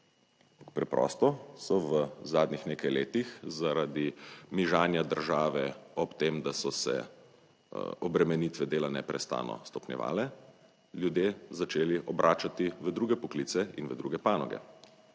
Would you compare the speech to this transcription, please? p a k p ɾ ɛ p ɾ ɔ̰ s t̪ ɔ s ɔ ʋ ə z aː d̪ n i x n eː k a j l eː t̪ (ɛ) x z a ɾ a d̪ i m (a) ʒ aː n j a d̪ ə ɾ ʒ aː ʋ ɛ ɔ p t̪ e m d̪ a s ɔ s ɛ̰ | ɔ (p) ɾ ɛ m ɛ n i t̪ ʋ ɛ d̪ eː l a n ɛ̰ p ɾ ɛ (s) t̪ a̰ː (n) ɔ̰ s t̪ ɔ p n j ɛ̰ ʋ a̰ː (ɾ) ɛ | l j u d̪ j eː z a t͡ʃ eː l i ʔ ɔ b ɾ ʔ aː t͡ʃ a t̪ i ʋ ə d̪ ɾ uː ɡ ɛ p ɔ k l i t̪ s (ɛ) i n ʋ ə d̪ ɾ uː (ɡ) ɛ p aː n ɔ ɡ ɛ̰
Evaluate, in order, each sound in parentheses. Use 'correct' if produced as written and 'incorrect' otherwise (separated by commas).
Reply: incorrect, incorrect, incorrect, correct, correct, incorrect, correct, correct